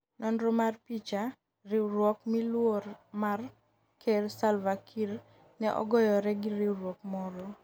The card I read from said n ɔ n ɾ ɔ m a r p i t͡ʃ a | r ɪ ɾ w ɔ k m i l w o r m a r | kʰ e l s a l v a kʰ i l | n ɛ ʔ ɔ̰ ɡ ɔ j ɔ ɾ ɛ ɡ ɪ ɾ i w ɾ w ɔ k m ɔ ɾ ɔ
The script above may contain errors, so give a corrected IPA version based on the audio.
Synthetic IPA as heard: n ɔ n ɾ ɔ m a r p i t͡ʃ a | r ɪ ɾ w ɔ k m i l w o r m a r | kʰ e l s a l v a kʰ i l | n ɛ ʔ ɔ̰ ɡ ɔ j ɔ ɾ ɛ ɡ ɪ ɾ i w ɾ w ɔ k m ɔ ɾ ɔ